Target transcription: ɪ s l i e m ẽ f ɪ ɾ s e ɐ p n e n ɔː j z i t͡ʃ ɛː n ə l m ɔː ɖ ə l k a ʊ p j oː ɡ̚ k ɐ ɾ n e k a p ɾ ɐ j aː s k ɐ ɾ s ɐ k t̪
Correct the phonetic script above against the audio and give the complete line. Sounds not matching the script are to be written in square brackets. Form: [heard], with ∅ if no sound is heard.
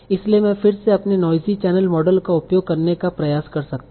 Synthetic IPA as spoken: ɪ s l i e m [ɛ̃] f ɪ ɾ s e ɐ p n e n ɔː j z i t͡ʃ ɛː n ə l m ɔː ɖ ə l k a ʊ p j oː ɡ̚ k ɐ ɾ n e k a p ɾ ɐ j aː s k ɐ ɾ s ɐ k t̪

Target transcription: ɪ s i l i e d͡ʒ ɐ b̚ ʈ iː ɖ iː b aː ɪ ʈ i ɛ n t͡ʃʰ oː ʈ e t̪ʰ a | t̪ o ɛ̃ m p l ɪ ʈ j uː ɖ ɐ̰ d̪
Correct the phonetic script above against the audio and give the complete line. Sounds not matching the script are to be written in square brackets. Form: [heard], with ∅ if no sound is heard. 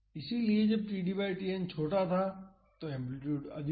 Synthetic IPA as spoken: ɪ s i l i e d͡ʒ ɐ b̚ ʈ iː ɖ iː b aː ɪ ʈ i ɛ n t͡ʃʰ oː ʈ [a] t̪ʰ a | t̪ o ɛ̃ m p l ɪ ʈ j uː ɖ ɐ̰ d̪

